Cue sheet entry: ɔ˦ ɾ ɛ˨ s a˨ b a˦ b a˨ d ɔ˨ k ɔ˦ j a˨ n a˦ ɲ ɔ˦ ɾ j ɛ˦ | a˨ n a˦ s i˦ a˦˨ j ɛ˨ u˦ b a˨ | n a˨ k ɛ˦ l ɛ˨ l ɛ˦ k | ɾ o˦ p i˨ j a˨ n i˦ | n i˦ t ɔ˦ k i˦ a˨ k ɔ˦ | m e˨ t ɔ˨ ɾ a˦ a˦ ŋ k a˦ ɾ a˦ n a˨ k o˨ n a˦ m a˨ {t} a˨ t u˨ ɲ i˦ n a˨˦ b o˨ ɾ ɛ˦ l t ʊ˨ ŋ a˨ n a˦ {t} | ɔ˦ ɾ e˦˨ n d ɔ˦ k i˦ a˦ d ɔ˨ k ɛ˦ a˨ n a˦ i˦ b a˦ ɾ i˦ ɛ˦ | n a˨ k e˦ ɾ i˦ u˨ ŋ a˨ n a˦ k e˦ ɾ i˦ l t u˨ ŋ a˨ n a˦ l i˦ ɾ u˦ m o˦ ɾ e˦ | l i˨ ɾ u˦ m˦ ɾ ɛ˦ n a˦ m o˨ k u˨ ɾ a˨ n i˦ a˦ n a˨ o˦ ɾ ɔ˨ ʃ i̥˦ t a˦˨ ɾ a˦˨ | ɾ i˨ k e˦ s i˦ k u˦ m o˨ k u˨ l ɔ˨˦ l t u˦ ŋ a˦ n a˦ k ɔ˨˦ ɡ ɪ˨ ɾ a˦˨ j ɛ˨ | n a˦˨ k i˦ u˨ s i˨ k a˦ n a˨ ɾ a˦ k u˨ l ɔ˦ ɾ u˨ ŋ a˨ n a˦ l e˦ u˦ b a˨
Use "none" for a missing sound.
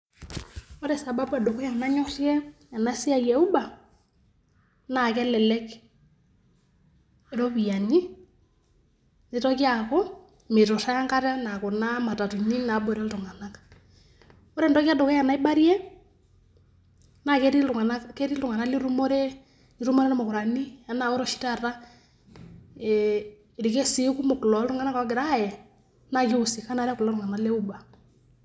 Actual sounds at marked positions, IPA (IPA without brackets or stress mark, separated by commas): t, k